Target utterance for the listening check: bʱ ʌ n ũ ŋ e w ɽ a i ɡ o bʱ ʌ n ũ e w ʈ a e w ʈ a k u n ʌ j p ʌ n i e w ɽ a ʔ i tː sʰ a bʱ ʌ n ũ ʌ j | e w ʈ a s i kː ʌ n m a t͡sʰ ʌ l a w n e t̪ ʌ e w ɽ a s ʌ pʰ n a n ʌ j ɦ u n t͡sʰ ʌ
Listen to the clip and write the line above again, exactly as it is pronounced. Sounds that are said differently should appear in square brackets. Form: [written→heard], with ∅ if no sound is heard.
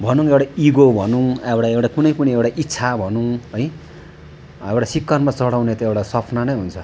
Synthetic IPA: bʱ ʌ n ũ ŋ e w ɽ a i ɡ o bʱ ʌ n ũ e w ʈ a e w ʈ a k u n ʌ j p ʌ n i e w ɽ a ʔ i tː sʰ a bʱ ʌ n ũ ʌ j | e w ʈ a s i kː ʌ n m a [t͡sʰ→t͡s] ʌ [l→ɽ] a w n e t̪ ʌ e w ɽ a s ʌ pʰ n a n ʌ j ɦ u n t͡sʰ ʌ